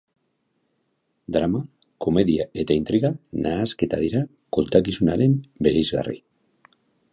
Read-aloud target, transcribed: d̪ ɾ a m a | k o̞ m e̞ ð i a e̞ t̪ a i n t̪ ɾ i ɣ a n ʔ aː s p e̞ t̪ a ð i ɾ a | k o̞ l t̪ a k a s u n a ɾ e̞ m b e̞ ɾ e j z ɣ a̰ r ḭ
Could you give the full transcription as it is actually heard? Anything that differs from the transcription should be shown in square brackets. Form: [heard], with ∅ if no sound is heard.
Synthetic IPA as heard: d̪ ɾ a m a | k o̞ m e̞ ð i a e̞ t̪ a i n t̪ ɾ i ɣ a n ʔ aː s [k] e̞ t̪ a ð i ɾ a | k o̞ l t̪ a k [i] s u n a ɾ e̞ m b e̞ ɾ e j z ɣ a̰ r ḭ